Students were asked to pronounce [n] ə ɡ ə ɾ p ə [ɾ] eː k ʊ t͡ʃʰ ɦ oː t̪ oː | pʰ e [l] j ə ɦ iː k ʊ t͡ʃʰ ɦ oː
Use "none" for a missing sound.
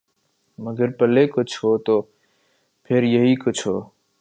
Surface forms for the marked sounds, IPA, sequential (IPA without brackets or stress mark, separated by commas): m, l, ɾ